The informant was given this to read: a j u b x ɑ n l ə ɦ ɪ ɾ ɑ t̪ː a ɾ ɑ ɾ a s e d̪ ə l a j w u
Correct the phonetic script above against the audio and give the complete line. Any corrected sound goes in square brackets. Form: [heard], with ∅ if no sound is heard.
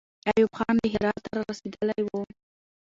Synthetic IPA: a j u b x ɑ n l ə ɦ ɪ ɾ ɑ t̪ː a ɾ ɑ ɾ a s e d̪ ə l a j w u